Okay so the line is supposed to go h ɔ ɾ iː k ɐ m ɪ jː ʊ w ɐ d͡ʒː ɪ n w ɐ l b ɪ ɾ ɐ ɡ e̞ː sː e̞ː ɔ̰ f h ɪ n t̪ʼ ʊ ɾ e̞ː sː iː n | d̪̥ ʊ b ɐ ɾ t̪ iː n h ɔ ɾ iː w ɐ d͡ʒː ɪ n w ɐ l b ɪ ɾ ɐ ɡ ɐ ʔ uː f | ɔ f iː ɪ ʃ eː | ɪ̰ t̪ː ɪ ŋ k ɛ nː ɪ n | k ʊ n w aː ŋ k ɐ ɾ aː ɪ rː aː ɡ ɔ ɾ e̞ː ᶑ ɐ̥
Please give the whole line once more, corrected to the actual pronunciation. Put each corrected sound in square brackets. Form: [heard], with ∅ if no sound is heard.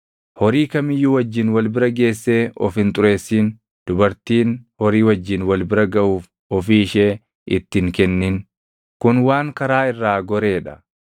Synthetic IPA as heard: h ɔ ɾ iː k ɐ m ɪ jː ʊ w ɐ d͡ʒː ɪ n w ɐ l b ɪ ɾ ɐ ɡ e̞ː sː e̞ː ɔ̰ f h ɪ n t̪ʼ ʊ ɾ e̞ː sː iː n | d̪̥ ʊ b ɐ ɾ t̪ iː n h ɔ ɾ iː w ɐ d͡ʒː ɪ n w ɐ l b ɪ ɾ ɐ ɡ ɐ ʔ uː f | ɔ f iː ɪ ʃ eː | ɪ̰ t̪ː ɪ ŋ k ɛ nː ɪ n | k ʊ n w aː ŋ k ɐ ɾ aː ɪ rː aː ɡ ɔ ɾ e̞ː ᶑ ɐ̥